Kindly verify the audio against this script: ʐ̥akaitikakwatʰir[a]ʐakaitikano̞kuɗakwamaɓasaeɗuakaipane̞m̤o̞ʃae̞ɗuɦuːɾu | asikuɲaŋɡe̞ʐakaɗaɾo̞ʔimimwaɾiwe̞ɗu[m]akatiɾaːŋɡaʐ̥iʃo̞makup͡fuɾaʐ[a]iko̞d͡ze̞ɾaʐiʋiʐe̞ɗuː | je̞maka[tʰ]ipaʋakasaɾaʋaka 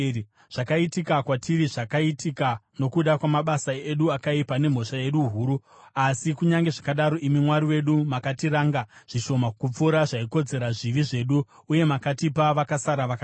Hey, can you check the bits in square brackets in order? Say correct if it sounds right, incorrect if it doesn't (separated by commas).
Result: incorrect, correct, correct, incorrect